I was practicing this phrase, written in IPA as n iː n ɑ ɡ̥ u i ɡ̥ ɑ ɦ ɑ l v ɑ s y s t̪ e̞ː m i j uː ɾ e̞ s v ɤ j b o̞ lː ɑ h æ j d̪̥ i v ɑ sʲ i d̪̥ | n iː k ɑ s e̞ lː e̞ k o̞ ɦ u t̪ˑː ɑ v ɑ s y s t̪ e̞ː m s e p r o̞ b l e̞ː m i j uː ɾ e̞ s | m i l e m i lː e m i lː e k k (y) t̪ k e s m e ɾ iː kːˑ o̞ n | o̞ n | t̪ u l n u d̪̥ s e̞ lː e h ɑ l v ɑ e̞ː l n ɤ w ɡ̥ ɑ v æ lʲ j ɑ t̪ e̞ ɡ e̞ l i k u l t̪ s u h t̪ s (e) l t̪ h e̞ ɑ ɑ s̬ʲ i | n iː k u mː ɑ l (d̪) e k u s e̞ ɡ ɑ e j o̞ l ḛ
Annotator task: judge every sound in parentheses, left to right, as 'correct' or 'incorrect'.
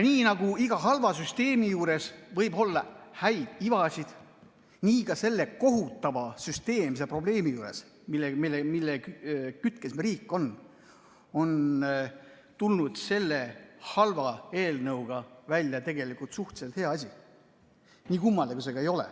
correct, correct, correct

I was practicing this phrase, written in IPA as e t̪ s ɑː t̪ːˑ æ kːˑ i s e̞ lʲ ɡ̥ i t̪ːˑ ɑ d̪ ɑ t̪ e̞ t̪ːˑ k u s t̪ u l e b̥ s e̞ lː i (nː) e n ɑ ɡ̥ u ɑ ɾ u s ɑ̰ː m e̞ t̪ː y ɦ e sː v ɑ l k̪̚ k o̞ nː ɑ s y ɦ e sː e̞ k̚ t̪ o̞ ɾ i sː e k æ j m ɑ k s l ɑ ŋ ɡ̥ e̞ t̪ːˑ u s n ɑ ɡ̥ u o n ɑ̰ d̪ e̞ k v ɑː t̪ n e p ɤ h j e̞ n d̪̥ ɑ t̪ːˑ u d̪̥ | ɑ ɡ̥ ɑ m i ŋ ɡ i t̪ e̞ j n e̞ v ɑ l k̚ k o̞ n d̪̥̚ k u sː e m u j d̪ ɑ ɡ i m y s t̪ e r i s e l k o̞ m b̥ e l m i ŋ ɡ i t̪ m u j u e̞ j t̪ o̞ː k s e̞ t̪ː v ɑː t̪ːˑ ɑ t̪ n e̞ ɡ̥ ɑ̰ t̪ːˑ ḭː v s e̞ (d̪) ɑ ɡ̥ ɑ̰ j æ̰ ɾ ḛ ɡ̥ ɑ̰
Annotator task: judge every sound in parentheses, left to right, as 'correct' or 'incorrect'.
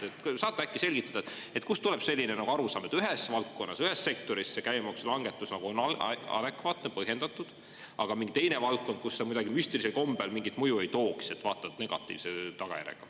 incorrect: n, incorrect: t̪

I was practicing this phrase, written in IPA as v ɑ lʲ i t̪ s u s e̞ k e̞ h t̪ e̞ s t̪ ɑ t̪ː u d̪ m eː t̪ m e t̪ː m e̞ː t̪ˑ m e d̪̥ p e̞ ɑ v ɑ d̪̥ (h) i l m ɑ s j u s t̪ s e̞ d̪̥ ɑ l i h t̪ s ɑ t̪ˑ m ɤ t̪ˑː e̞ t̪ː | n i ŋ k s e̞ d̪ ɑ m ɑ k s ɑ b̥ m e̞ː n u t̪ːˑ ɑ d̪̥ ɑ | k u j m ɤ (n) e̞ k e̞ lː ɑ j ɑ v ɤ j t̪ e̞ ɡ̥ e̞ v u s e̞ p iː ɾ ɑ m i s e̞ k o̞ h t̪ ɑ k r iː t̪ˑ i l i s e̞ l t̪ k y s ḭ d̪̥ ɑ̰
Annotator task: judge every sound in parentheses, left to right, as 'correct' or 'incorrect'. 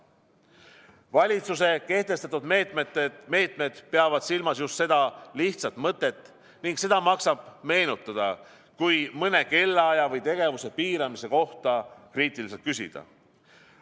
incorrect: s, correct

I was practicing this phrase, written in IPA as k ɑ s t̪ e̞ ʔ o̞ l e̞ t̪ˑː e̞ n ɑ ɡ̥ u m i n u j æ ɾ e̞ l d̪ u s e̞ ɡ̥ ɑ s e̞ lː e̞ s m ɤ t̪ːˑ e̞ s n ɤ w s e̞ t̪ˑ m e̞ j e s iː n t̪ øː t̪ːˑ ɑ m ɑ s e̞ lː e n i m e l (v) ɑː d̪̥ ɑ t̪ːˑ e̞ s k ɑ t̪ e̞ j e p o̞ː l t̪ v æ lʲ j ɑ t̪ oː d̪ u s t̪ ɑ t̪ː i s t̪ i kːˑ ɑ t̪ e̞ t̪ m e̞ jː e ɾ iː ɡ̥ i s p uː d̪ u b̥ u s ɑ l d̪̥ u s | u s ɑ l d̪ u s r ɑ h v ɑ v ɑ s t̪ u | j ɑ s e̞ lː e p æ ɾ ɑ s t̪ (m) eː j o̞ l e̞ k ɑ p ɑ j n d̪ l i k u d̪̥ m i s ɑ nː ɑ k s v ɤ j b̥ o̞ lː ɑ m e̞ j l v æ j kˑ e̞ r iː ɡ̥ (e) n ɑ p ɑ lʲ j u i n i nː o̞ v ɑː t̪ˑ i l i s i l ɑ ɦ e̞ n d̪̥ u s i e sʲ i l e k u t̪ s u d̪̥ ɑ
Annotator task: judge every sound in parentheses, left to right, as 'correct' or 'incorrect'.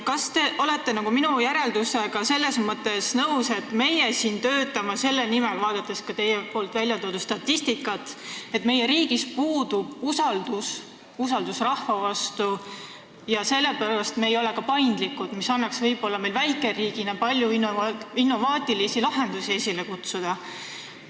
correct, correct, incorrect: i

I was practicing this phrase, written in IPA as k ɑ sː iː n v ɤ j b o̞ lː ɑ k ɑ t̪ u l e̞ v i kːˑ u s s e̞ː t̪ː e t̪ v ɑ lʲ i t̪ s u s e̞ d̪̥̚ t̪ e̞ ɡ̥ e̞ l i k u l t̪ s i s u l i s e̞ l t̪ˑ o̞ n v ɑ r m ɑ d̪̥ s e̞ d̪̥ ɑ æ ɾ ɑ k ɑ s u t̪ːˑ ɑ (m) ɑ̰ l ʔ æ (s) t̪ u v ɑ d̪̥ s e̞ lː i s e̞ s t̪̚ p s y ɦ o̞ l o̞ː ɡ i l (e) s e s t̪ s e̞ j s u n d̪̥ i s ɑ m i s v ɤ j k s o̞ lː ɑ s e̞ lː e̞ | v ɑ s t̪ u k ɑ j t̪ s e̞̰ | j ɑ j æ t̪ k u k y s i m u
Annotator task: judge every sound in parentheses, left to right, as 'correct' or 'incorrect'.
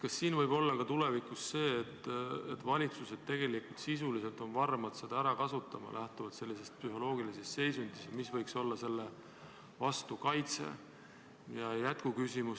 correct, incorrect: h, incorrect: i

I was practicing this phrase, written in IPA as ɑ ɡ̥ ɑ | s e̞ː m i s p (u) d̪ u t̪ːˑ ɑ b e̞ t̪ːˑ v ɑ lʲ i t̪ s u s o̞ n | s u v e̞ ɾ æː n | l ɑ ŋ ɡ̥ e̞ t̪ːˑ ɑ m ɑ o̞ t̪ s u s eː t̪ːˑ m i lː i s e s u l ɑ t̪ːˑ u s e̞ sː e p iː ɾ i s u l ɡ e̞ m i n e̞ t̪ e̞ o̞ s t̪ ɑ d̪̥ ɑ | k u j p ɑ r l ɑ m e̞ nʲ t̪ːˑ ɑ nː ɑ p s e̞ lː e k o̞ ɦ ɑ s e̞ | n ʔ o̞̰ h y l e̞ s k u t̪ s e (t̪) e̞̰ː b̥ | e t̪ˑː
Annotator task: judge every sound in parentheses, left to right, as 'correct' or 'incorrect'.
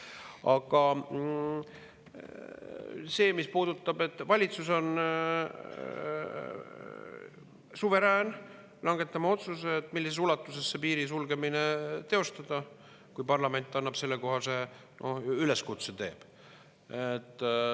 incorrect: uː, correct

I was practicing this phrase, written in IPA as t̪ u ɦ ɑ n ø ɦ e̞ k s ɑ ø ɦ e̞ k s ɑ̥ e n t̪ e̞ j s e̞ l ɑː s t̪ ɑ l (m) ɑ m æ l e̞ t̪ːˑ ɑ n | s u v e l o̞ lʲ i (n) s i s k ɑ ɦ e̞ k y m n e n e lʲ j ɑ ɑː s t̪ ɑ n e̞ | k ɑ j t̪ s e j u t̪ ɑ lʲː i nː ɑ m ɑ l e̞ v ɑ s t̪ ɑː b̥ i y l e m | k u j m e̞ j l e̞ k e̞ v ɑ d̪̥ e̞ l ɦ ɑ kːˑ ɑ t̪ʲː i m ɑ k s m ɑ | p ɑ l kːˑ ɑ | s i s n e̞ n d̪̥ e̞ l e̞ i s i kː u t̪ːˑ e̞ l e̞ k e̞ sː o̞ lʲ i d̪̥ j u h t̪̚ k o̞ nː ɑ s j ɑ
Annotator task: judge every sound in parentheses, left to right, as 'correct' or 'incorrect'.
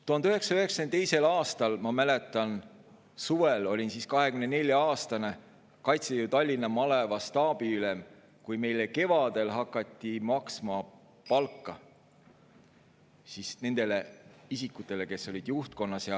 correct, correct

